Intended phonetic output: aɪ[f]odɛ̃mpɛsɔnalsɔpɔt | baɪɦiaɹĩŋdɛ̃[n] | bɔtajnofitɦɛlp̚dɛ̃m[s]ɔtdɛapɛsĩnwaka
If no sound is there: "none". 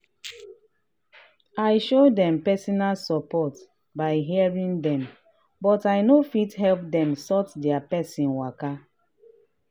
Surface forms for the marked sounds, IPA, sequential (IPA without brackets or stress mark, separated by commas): ʃ, m, s